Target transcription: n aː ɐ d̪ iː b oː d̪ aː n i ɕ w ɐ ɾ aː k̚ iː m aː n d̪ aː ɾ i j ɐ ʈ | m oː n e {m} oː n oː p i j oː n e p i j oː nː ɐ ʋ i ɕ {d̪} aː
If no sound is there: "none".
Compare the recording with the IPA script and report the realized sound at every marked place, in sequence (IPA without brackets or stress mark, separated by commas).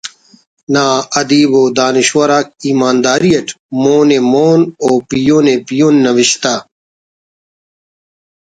m, t̪